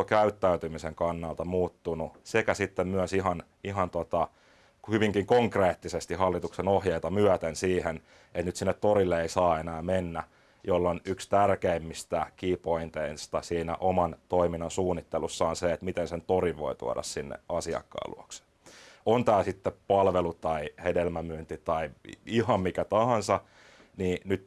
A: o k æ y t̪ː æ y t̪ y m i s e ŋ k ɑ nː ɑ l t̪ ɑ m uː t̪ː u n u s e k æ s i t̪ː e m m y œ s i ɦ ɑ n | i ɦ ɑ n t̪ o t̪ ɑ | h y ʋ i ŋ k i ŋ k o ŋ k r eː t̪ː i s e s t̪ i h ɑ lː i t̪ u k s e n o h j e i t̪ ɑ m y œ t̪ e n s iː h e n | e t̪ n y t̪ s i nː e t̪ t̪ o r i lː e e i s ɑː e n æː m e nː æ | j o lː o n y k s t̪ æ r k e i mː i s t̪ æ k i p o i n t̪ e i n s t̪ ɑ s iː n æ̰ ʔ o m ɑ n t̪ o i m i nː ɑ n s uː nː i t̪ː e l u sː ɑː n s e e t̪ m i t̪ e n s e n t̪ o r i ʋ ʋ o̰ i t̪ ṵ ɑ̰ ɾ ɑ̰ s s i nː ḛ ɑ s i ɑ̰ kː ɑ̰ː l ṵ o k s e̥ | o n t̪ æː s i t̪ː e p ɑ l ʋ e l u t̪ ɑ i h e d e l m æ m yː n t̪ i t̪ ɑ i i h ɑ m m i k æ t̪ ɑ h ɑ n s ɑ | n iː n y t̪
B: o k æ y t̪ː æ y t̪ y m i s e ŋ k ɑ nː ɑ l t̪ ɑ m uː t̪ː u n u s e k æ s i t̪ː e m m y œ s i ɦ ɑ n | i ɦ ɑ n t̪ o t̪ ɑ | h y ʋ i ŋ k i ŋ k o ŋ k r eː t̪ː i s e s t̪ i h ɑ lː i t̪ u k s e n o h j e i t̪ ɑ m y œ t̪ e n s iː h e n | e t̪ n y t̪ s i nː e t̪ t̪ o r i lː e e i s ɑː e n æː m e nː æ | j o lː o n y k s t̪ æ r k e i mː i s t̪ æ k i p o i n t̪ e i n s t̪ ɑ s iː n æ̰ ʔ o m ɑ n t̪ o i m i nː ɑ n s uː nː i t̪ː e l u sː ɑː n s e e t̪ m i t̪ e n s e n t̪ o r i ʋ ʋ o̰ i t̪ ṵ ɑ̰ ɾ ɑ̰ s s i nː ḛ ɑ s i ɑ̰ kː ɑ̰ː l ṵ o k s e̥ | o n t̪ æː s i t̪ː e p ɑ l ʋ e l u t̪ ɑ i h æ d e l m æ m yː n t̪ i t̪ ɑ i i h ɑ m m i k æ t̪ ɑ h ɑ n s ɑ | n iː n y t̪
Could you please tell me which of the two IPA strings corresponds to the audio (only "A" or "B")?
A